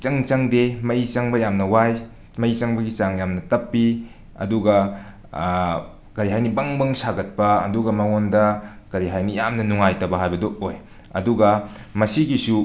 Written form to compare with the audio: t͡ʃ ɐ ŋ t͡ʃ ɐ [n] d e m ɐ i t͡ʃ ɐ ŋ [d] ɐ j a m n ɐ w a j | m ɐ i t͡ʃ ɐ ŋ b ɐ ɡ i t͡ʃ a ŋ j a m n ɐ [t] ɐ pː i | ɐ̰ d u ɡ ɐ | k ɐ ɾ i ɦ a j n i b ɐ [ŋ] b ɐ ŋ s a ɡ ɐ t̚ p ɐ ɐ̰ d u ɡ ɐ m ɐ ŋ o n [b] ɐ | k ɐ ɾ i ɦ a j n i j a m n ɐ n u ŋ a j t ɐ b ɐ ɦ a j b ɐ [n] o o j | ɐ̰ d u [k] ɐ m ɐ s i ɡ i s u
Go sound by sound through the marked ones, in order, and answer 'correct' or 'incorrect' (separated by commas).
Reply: incorrect, incorrect, correct, correct, incorrect, incorrect, incorrect